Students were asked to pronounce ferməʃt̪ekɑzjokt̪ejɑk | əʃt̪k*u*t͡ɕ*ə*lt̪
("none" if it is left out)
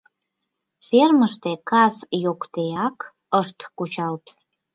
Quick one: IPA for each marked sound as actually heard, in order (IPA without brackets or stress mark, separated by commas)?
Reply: u, ɑ